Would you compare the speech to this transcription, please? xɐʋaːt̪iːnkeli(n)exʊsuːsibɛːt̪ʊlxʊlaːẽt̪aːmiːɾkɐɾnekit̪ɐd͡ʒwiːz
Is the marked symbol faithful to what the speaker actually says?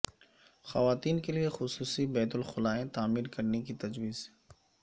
no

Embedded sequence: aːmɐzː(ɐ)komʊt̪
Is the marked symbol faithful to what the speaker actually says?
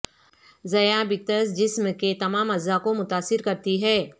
no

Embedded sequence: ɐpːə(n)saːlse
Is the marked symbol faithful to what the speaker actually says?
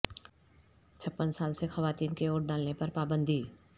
yes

